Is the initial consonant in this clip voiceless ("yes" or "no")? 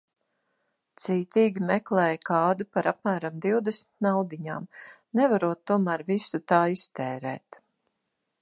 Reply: yes